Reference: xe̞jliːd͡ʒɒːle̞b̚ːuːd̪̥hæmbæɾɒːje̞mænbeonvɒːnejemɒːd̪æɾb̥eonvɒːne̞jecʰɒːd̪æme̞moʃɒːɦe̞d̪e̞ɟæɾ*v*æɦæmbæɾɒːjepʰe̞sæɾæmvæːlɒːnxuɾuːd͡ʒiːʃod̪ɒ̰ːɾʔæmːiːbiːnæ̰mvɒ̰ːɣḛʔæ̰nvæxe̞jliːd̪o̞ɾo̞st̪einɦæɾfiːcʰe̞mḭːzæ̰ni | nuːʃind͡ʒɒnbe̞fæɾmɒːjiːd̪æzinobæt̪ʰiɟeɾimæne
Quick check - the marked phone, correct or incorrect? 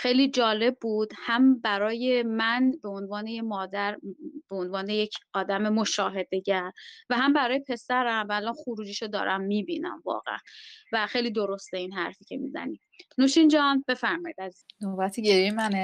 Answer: correct